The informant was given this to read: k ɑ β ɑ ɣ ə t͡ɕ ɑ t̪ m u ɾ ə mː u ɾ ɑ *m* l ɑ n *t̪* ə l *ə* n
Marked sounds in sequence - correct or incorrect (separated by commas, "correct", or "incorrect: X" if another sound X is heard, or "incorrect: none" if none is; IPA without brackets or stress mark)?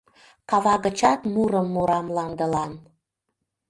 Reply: correct, incorrect: d̪, incorrect: ɑ